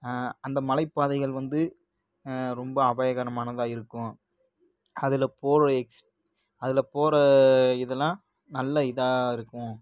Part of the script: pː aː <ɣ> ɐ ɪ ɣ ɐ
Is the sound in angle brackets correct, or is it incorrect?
incorrect